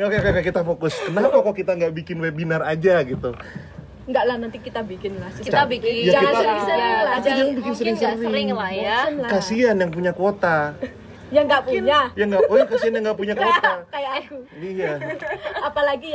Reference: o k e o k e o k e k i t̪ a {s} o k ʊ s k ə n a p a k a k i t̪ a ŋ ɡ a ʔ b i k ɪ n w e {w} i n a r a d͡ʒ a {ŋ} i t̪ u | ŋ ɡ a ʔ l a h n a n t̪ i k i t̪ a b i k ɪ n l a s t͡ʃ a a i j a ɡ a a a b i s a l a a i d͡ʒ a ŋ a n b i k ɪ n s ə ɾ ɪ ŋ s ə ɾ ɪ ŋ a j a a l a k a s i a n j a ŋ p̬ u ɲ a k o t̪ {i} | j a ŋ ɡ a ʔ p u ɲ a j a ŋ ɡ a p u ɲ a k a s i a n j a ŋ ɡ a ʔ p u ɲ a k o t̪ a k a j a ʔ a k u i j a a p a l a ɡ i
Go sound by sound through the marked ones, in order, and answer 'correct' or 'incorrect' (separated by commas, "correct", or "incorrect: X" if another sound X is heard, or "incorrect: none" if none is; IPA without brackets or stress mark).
incorrect: f, incorrect: b, incorrect: ɡ, incorrect: a